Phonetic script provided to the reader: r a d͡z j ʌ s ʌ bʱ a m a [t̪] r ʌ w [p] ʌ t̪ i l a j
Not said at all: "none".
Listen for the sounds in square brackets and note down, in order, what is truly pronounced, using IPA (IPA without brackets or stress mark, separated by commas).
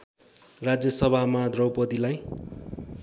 d̪, p